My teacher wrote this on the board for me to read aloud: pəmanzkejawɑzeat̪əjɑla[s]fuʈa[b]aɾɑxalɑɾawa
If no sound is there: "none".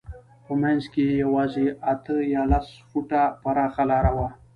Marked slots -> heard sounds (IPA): s, p

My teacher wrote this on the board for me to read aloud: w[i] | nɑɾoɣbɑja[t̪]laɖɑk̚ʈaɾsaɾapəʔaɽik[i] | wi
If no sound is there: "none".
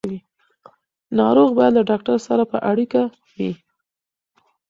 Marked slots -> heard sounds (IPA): i, d̪, a

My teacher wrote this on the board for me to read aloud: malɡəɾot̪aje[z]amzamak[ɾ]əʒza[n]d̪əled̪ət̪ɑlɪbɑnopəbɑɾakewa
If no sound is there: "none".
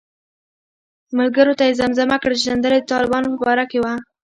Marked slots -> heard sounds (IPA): z, ɽ, n

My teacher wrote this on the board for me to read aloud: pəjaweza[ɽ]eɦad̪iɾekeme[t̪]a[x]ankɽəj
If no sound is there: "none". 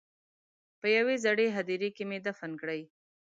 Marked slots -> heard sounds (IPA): ɽ, d̪, f

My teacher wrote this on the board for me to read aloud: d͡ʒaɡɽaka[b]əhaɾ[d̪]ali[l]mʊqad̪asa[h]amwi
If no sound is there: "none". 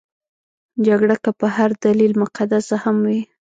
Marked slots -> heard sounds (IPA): p, d̪, l, h

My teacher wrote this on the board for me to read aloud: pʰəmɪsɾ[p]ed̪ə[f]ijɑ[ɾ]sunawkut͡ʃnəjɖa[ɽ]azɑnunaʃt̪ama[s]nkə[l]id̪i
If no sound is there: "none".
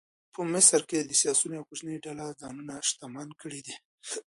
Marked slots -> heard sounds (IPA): k, s, none, l, none, ɽ

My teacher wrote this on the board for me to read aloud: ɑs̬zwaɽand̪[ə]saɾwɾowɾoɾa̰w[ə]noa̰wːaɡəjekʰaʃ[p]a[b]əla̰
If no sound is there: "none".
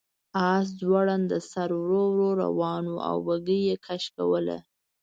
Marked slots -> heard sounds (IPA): ə, ɑ, k, w

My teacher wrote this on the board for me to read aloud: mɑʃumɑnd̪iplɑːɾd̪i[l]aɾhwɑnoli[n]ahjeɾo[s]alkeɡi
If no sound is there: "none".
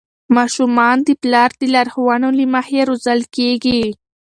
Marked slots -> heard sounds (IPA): l, m, z

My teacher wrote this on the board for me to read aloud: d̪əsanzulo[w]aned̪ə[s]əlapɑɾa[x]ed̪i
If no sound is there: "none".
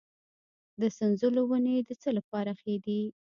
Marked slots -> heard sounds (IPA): w, t͡s, x

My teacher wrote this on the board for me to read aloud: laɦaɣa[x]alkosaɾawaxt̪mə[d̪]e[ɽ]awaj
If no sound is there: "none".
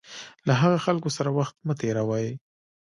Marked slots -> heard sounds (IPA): x, t̪, ɾ

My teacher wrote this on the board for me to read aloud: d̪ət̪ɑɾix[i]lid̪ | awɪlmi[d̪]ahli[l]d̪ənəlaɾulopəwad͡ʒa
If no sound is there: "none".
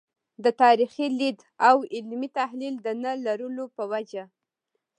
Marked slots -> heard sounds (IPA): i, t̪, l

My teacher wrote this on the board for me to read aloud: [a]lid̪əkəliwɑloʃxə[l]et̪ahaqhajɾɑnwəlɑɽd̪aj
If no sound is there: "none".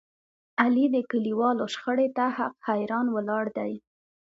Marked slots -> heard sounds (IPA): a, ɽ

